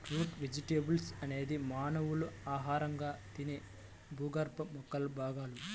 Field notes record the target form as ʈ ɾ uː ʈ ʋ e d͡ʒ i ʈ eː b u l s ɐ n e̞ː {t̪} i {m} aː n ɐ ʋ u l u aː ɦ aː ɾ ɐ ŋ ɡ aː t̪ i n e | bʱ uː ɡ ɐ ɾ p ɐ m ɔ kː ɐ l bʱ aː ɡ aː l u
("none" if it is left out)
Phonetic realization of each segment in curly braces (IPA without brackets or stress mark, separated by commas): d̪, m